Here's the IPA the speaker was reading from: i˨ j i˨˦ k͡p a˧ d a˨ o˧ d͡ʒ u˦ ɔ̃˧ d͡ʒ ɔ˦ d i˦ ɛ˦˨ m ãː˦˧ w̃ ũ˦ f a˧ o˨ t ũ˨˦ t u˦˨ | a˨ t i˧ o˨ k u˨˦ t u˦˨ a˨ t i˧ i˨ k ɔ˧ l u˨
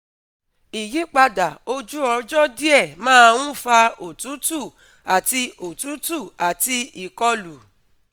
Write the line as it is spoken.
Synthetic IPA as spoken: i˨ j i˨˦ k͡p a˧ d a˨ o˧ d͡ʒ u˦ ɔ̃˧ d͡ʒ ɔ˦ d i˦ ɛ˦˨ m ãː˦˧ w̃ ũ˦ f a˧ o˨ t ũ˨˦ t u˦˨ | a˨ t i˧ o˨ t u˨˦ t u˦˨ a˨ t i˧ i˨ k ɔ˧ l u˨